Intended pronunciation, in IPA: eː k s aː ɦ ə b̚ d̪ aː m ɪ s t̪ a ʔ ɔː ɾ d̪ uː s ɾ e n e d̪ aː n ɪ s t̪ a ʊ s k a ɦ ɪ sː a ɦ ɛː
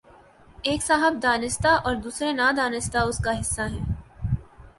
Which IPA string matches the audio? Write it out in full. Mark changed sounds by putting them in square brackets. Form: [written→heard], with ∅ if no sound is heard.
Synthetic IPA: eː k s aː ɦ ə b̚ d̪ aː [m→n] ɪ s t̪ a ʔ ɔː ɾ d̪ uː s ɾ e n [e→a] d̪ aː n ɪ s t̪ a ʊ s k a ɦ ɪ sː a ɦ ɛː